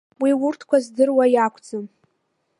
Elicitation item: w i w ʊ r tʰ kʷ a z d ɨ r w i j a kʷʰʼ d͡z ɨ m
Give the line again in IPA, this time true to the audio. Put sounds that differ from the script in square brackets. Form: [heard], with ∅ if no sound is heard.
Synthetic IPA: w i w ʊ r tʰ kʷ a z d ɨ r w [a] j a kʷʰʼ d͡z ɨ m

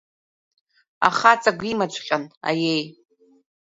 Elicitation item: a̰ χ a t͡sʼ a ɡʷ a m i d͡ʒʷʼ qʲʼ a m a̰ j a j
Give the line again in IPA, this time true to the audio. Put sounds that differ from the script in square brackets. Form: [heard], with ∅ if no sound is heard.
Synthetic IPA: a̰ χ a t͡sʼ a ɡʷ [i] m [a] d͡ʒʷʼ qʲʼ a [n] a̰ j [e] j

